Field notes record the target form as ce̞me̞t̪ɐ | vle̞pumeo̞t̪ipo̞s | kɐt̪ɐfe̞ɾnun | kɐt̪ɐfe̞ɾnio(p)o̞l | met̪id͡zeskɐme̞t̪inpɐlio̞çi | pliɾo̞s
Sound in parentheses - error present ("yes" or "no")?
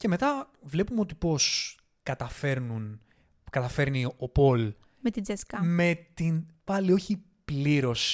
no